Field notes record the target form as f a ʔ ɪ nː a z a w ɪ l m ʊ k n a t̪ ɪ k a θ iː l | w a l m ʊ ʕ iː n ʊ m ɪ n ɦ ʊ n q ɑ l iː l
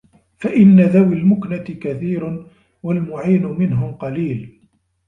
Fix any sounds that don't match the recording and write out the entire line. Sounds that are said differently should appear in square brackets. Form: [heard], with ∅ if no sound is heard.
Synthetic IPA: f a ʔ ɪ nː a [ð] a w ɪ l m ʊ k n a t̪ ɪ k a θ iː [ɾ] | w a l m ʊ ʕ iː n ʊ m ɪ n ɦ ʊ [m] q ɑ l iː l